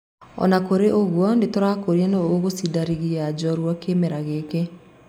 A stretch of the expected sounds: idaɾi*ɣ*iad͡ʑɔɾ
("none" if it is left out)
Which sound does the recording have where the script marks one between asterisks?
ɣ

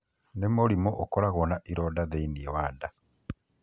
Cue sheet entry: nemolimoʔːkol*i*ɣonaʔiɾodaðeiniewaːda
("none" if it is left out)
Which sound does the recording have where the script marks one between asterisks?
a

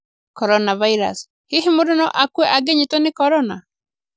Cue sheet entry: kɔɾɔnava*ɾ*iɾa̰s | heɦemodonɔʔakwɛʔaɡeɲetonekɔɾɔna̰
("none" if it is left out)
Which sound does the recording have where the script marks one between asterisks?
none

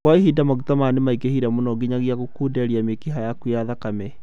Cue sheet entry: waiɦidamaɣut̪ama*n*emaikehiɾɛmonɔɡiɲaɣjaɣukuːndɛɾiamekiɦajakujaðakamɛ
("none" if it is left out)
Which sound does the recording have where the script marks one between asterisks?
n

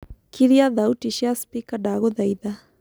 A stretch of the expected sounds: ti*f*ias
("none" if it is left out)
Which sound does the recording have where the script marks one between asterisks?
ʃ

